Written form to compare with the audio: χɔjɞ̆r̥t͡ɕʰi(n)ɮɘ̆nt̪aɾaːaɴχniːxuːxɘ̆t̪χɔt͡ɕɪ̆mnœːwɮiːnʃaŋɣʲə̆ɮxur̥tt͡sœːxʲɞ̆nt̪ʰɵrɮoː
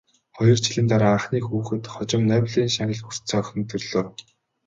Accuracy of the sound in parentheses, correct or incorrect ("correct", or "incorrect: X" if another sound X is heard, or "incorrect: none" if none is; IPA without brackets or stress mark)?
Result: incorrect: none